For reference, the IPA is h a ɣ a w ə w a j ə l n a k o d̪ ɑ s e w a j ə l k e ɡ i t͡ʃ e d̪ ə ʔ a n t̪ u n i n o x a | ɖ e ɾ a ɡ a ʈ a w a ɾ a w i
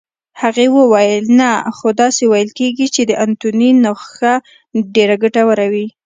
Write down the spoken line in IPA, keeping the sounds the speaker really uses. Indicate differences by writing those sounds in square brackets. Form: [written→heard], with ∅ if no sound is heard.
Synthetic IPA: h a ɣ [a→e] w ə w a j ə l n a [k→x] o d̪ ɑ s e w a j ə l k e ɡ i t͡ʃ e d̪ ə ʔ a n t̪ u n i n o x a | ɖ e ɾ a ɡ a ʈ a w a ɾ a w i